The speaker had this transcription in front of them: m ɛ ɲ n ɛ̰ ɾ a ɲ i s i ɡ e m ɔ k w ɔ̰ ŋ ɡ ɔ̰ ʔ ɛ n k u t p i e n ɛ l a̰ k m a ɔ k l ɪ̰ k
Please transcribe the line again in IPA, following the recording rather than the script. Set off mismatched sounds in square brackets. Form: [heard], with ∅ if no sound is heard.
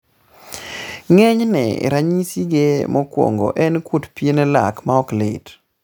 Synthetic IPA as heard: [ŋ] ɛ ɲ n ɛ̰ ɾ a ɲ i s i ɡ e m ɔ k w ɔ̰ ŋ ɡ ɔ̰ ʔ ɛ n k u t p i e n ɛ l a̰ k m a ɔ k l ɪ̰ [t]